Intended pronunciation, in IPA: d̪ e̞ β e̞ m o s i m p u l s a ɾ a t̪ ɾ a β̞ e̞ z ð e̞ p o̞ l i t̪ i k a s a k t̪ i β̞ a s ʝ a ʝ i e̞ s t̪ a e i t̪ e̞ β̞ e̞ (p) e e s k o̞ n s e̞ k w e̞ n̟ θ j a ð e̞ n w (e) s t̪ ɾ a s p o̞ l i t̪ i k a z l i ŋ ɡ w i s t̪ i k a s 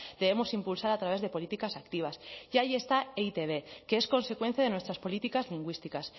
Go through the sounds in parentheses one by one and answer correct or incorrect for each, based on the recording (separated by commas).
incorrect, correct